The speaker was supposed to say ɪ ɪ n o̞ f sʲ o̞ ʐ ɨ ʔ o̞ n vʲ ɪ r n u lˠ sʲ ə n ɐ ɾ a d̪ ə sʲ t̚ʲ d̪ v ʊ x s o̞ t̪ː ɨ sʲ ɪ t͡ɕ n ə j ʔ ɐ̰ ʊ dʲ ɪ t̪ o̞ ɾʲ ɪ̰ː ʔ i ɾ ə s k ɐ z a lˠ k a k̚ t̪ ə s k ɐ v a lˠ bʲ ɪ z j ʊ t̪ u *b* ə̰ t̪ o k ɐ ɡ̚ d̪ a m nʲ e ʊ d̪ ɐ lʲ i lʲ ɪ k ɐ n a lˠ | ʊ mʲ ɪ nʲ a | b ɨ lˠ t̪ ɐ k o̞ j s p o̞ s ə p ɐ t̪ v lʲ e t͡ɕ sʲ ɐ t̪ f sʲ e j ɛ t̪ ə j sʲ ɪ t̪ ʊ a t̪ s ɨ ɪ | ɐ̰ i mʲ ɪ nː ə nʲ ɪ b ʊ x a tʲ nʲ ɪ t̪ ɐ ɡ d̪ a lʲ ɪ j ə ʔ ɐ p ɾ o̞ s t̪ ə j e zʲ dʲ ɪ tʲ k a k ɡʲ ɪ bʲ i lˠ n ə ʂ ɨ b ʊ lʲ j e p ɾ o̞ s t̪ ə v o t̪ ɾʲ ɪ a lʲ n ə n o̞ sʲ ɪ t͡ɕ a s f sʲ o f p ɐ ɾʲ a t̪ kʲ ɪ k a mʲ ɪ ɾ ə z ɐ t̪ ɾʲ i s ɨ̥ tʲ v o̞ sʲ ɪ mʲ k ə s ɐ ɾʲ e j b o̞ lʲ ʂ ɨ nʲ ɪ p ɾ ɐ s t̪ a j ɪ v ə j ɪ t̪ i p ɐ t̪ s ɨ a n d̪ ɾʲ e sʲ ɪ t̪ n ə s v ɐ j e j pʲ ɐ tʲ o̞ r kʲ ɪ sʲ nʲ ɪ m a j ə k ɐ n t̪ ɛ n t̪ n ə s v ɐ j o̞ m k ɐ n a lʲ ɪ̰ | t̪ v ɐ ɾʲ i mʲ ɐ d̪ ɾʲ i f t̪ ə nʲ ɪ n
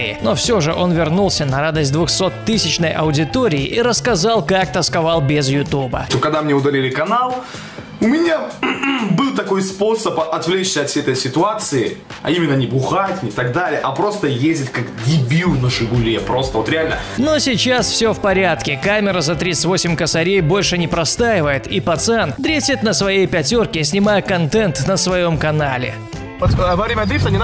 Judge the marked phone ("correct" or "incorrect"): correct